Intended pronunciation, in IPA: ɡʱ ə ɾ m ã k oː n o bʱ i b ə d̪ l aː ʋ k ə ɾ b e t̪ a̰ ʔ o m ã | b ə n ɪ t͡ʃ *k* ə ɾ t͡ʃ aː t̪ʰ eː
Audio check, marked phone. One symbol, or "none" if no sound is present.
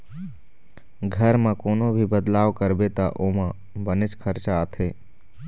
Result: kʰ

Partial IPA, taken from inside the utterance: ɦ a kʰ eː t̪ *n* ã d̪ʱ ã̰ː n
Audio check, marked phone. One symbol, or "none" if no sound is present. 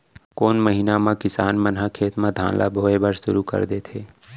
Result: m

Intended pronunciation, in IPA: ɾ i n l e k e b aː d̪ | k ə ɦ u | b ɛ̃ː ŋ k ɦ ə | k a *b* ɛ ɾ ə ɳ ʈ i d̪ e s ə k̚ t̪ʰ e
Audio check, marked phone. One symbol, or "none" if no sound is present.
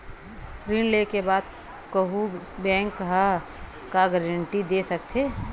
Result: ɡ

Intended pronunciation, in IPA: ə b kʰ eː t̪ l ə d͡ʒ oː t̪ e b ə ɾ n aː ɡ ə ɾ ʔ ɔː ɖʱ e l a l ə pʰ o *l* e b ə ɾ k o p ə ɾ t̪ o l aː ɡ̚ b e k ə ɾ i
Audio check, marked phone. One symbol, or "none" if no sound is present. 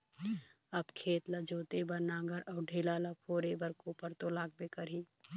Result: ɾ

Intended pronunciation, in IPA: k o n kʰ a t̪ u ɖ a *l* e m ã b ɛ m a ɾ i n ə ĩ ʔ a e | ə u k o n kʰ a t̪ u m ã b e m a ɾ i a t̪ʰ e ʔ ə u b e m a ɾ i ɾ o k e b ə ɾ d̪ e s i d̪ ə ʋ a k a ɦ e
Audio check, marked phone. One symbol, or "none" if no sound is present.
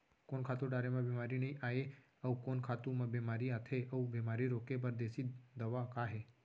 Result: ɾ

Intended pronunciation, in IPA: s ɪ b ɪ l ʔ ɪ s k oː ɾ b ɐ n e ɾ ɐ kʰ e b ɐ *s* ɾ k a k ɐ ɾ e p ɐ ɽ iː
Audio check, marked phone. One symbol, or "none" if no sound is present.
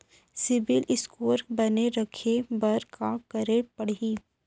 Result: none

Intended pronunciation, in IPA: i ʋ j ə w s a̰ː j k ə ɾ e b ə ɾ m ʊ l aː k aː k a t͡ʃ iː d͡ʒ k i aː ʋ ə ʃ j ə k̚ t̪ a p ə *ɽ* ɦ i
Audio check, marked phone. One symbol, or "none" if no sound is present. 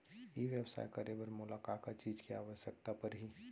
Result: ɾ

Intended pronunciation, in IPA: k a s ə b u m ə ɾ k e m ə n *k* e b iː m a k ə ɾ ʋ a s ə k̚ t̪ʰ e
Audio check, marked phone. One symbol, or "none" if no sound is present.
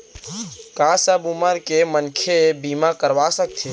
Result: kʰ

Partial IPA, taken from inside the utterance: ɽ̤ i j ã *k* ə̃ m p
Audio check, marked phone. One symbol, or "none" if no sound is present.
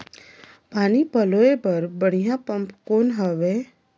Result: p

